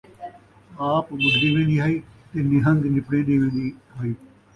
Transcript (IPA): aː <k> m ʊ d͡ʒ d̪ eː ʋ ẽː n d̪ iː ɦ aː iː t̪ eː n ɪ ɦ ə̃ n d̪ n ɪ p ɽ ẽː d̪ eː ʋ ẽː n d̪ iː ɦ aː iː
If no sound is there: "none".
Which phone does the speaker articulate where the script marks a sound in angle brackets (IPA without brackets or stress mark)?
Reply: p